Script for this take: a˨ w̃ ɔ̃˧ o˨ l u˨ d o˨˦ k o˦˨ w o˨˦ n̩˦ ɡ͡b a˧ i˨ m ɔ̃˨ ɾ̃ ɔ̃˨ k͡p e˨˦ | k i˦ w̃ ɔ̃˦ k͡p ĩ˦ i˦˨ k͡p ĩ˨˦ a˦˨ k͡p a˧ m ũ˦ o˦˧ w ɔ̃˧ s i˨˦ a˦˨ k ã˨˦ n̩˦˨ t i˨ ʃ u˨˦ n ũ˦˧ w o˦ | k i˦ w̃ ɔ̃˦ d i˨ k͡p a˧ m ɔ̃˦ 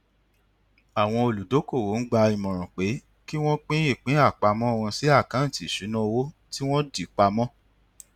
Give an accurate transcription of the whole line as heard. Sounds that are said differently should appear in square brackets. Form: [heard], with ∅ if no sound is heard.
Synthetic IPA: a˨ w̃ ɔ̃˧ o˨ l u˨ d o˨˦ k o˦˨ w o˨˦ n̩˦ ɡ͡b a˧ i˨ m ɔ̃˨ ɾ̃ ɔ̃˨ k͡p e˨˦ | k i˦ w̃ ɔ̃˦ k͡p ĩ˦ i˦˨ k͡p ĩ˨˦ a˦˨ k͡p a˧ m [ɔ̃˦] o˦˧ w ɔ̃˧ s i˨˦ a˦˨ k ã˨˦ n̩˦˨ t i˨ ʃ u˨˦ n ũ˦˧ w o˦ | [t] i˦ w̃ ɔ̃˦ d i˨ k͡p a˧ m ɔ̃˦